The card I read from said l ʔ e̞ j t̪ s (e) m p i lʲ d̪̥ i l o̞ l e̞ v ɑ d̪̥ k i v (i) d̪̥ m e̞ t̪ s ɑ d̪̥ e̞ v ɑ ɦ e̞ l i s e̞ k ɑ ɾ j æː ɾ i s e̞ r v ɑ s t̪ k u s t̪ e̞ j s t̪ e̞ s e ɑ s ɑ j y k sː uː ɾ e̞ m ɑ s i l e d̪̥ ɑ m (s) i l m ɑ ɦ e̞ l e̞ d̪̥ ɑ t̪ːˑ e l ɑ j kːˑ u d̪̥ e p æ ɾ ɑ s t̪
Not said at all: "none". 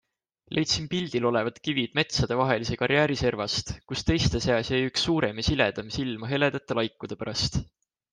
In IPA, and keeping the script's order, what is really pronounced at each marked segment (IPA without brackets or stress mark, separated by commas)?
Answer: i, i, s